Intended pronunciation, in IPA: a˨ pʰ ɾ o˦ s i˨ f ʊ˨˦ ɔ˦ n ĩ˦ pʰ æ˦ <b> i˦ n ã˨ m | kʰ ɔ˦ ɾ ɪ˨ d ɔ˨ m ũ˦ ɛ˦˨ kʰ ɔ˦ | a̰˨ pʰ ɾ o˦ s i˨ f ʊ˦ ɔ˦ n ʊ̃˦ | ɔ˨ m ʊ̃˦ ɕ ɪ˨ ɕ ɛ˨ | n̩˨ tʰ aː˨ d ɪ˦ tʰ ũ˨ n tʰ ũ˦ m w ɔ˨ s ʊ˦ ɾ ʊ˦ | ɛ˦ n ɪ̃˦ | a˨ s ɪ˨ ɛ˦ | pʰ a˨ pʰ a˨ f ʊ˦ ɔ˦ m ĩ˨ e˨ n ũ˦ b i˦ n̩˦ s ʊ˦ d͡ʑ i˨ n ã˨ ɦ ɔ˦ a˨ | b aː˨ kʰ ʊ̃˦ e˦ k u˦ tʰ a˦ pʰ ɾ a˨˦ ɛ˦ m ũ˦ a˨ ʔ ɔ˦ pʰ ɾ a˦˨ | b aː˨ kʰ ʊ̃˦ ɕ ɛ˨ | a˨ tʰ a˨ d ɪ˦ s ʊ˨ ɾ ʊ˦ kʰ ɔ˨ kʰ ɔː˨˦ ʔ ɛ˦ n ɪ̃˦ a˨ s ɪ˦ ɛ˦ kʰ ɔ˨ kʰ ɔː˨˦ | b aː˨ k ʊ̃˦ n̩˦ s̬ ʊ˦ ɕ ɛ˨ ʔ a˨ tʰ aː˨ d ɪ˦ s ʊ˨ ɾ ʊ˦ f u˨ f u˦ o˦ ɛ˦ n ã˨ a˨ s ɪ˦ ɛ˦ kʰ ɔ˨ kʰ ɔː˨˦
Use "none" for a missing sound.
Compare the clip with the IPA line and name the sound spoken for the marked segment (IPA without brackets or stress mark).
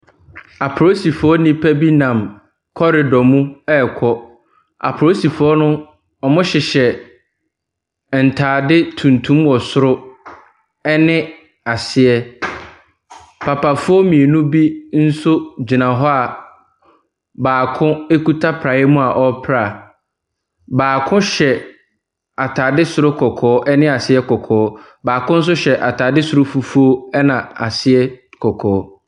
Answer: b